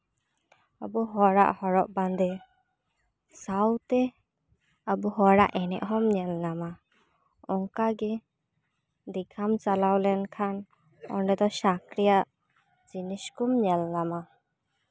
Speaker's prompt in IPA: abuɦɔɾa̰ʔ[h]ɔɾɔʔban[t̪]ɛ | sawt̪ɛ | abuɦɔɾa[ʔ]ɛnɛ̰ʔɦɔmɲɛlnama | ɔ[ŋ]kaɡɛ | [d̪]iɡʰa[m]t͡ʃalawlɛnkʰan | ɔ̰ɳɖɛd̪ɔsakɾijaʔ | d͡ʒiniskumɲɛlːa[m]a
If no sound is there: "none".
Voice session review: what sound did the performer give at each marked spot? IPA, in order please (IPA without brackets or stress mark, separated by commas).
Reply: h, d̪, ʔ, ŋ, d̪, m, m